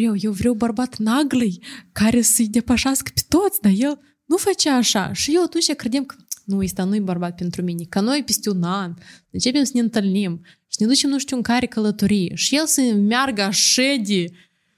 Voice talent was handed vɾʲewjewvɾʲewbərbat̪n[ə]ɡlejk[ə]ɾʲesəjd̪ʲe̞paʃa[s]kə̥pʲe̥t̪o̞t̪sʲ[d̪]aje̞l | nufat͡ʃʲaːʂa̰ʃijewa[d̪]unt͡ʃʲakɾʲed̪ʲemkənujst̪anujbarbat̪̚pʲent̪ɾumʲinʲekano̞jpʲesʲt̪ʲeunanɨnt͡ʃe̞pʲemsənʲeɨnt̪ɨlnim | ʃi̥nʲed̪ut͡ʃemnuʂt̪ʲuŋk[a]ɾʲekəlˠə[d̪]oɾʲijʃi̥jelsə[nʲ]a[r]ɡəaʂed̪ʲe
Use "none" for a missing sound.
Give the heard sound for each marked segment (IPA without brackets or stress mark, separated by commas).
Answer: a, a, s, d̪, t̪, a, t̪, mʲ, r